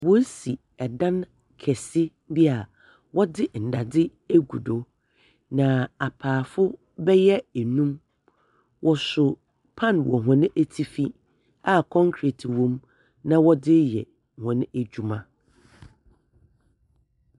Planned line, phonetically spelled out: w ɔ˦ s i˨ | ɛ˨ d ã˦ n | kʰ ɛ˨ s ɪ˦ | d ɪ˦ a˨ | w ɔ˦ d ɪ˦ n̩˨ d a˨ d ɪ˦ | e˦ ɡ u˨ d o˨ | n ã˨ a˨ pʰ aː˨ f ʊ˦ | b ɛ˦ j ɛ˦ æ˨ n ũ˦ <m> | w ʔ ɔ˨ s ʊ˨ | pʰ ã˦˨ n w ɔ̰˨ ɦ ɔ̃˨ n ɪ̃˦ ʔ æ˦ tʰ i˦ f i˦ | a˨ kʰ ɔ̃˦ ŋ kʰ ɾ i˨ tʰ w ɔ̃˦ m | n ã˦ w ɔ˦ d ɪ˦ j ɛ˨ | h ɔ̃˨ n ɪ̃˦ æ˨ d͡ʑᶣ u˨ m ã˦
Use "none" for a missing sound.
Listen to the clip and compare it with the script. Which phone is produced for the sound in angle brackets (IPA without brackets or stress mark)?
m